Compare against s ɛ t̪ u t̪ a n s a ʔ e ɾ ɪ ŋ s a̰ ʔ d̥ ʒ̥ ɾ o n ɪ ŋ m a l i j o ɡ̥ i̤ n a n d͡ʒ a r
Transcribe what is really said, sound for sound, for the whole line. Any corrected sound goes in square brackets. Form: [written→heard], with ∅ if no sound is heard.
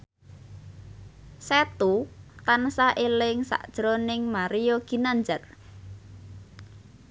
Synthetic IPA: s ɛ t̪ u t̪ a n s a ʔ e [ɾ→l] ɪ ŋ s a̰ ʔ d̥ ʒ̥ ɾ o n ɪ ŋ m a [l→ɾ] i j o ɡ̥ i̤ n a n d͡ʒ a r